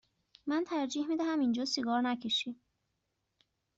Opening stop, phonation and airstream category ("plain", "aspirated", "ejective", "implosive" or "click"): aspirated